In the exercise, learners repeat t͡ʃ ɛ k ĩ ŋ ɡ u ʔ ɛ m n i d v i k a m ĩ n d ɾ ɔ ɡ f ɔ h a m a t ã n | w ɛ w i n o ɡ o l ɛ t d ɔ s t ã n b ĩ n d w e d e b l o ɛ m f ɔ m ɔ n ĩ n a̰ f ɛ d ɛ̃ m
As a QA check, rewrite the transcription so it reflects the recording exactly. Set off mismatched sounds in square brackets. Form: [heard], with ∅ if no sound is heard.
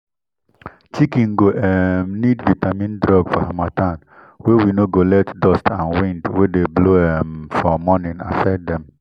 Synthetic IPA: t͡ʃ [i] k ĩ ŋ ɡ [o] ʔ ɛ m n i d v i [t] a m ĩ n d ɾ ɔ ɡ f ɔ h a m a t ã n | w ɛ w i n o ɡ o l ɛ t d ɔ s t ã n [w] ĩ n d w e d e b l o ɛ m f ɔ m ɔ n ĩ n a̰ f ɛ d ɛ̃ m